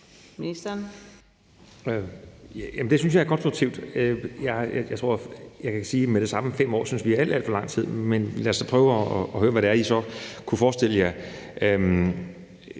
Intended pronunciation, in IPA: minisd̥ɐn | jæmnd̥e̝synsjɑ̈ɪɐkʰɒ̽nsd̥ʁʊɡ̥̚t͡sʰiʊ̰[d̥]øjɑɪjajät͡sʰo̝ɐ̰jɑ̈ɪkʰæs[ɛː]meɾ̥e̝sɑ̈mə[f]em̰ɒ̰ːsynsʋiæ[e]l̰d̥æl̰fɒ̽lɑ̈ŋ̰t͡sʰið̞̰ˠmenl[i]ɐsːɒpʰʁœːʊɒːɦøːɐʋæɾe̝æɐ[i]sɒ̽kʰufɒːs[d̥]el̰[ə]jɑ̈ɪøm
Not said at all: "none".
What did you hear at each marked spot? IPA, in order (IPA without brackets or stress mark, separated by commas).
d̥, iː, f, æ, æ, i, d̥, ə